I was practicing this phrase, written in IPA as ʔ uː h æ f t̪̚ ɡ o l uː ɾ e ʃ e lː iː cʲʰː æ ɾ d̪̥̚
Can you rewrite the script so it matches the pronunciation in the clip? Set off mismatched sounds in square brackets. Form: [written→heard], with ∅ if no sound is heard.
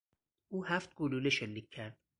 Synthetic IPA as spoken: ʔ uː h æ f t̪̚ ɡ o l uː [ɾ→l] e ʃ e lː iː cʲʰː æ ɾ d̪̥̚